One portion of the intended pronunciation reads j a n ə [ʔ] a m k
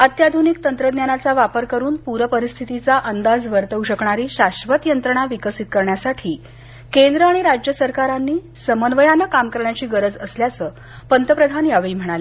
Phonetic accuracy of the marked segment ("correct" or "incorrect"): incorrect